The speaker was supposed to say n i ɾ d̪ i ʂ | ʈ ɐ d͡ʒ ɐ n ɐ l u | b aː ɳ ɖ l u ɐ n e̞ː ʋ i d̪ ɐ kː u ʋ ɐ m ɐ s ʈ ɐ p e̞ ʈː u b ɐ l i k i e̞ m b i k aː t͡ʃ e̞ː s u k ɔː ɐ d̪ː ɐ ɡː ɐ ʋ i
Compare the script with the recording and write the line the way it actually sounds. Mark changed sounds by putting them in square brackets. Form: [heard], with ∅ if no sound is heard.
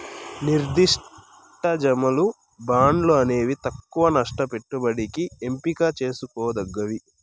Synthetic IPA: n i ɾ d̪ i ʂ | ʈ ɐ d͡ʒ ɐ [m] ɐ l u | b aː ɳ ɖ l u ɐ n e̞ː ʋ i [t̪] ɐ kː u ʋ ɐ [n] ɐ [ʂ] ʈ ɐ p e̞ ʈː u b ɐ [ɽ] i k i e̞ m [p] i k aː t͡ʃ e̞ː s u k ɔː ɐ [d̪] ɐ ɡː ɐ ʋ i